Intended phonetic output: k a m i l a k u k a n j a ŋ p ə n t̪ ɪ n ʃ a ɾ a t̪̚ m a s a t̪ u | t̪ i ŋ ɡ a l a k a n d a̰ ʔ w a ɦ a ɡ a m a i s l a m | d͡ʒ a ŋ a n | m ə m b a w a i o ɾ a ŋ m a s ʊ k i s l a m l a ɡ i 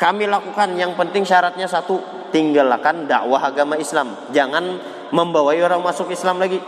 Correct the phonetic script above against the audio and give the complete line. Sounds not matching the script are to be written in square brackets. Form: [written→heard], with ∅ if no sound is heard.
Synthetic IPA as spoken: k a m i l a k u k a n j a ŋ p ə n t̪ ɪ [n→ŋ] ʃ a ɾ a t̪̚ [m→ɲ] a s a t̪ u | t̪ i ŋ ɡ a l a k a n d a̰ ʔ w a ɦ a ɡ a m a i s l a m | d͡ʒ a ŋ a n | m ə m b a w a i o ɾ a ŋ m a s ʊ k i s l a m l a ɡ i